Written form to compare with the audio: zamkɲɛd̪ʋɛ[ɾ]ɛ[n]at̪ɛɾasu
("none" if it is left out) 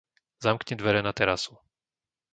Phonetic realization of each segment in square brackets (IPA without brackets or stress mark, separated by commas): ɾ, n